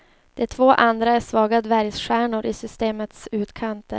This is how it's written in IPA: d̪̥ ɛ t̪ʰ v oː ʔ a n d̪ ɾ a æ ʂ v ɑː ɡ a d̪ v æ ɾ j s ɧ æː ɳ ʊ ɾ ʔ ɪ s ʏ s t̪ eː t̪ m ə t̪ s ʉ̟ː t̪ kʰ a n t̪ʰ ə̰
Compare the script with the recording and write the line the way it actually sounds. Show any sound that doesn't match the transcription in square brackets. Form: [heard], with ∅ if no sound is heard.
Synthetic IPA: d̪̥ ɛ t̪ʰ v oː ʔ a n d̪ ɾ a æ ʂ v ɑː ɡ a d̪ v æ ɾ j s ɧ æː ɳ ʊ ɾ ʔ ɪ s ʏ s t̪ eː [∅] m ə t̪ s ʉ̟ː t̪ kʰ a n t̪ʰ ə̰